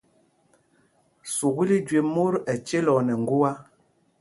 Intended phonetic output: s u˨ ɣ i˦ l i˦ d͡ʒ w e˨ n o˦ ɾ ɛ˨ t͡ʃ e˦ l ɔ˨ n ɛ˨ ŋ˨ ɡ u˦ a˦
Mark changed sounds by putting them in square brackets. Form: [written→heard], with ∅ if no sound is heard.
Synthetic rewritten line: s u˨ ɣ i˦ l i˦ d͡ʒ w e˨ [n→m] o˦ ɾ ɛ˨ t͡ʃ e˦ l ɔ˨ n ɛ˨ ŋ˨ ɡ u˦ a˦